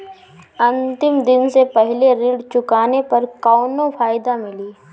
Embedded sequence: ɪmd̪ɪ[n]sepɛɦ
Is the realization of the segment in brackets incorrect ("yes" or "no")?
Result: no